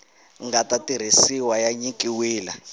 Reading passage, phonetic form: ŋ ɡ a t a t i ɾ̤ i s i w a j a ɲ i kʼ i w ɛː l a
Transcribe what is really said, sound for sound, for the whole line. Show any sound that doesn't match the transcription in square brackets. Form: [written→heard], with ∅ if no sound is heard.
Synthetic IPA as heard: ŋ ɡ a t a t i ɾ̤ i s i w a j a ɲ i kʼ i w [ɛː→iː] l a